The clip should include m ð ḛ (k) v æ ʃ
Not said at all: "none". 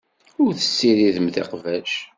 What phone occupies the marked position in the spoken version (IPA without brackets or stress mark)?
q